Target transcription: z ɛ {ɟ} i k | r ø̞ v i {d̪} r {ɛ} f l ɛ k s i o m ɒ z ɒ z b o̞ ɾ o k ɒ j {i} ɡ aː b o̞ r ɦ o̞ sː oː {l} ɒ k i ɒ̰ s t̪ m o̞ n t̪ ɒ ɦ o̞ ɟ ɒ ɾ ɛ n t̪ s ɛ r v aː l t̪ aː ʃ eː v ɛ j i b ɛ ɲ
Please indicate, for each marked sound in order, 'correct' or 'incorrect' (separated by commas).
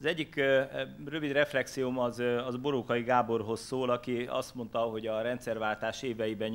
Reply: incorrect, correct, correct, correct, correct